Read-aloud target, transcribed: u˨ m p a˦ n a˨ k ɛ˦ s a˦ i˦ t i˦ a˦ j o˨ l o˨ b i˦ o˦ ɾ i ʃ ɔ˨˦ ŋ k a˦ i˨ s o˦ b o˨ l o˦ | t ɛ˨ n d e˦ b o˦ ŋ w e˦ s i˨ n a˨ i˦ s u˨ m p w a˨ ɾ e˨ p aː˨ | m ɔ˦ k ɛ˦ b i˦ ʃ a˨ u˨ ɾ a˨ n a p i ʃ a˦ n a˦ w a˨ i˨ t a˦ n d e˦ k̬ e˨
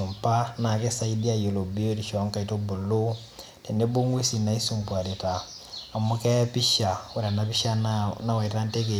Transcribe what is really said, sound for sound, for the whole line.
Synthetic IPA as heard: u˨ m p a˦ n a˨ k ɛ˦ s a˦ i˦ d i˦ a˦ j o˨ l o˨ b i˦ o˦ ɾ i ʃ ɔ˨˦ ŋ k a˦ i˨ t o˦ b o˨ l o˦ | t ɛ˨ n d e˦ b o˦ ŋ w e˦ s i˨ n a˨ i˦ s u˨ m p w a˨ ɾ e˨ t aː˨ | m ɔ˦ k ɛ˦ p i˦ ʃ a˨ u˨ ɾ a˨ n a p i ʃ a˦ n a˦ w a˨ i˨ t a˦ n t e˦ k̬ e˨